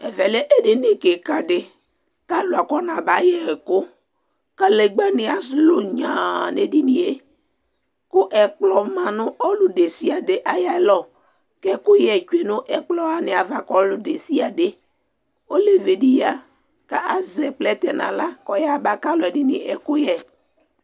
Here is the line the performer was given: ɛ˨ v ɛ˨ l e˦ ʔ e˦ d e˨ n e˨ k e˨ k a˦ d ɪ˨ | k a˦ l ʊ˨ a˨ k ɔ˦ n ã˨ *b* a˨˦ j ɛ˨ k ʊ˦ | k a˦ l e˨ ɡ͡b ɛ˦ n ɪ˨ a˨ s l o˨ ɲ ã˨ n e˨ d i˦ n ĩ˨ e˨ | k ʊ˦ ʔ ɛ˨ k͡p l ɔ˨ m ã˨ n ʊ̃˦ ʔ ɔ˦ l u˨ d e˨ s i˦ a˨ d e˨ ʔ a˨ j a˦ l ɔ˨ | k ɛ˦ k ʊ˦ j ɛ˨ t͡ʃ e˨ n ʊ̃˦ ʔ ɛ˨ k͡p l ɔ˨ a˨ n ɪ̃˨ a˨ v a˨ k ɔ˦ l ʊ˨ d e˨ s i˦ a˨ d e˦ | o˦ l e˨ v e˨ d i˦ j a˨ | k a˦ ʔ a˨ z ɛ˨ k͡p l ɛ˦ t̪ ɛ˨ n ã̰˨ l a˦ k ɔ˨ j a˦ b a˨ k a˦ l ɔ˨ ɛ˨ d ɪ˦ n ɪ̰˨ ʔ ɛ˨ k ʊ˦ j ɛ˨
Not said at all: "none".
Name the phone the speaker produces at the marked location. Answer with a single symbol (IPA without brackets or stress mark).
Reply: b